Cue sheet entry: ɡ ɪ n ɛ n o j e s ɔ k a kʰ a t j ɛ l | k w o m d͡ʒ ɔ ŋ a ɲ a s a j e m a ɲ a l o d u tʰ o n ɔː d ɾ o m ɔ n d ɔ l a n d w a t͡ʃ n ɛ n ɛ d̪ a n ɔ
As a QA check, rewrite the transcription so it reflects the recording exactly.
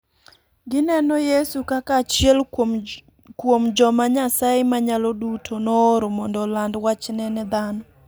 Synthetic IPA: ɡ ɪ n ɛ n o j e s u k a k a t͡ʃ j ɛ l | k w o m d͡ʒ ɔ m a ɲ a s a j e m a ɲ a l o d u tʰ o n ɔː ɾ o m ɔ n d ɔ l a n d w a t͡ʃ n ɛ n ɛ d̪ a n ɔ